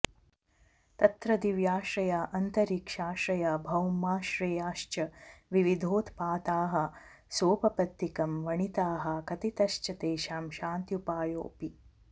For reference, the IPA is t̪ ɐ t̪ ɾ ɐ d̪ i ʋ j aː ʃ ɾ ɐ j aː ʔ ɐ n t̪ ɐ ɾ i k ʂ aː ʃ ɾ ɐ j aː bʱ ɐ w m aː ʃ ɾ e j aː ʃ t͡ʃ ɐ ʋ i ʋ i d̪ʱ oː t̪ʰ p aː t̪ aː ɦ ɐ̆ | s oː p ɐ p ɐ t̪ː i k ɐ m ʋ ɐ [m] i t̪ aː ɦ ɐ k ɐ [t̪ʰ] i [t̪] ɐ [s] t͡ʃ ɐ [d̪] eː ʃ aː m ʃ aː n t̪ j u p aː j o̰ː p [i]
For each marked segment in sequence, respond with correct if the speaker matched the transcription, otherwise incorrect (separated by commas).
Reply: incorrect, incorrect, correct, incorrect, incorrect, correct